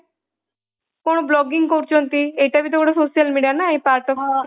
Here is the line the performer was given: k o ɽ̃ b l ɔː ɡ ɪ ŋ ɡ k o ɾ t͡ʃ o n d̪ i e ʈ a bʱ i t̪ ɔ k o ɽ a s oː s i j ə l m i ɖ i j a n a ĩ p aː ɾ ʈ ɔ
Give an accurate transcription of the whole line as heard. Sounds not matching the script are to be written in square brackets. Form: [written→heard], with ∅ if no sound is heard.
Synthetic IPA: k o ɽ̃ b l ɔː ɡ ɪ ŋ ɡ k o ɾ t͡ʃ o n [d̪→t̪] i e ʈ a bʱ i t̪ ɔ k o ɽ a s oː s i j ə l m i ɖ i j a n a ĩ p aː ɾ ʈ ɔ